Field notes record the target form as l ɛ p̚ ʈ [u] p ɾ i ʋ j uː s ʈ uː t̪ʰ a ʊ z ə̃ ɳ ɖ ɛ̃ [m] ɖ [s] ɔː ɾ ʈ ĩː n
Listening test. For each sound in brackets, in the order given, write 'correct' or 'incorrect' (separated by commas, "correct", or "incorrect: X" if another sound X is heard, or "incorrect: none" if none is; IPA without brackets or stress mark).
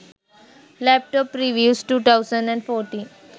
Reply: incorrect: ɔ, incorrect: ɳ, incorrect: f